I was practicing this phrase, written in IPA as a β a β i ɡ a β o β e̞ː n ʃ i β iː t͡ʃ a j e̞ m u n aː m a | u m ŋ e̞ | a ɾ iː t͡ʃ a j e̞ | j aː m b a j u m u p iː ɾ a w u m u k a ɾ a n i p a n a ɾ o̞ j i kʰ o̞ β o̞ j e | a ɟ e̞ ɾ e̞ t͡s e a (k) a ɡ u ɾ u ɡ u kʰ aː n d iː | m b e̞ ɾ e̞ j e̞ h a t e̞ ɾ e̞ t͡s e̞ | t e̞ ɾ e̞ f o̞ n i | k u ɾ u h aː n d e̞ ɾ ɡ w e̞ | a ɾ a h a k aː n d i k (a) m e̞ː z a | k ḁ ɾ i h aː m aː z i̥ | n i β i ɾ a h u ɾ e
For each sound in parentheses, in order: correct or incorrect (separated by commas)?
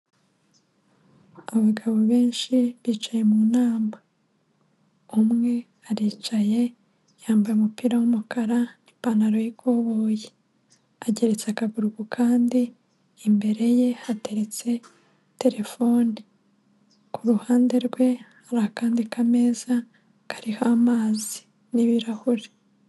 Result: correct, correct